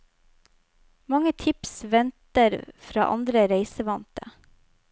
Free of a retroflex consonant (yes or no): yes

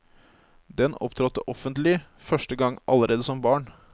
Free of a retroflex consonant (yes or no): no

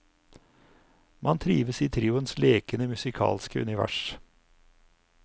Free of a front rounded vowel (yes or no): yes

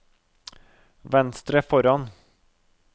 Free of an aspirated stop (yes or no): yes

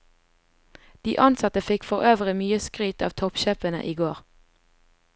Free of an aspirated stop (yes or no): no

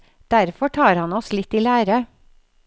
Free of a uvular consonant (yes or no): yes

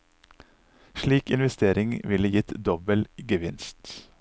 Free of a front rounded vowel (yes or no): yes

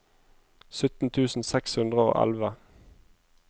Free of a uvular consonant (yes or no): no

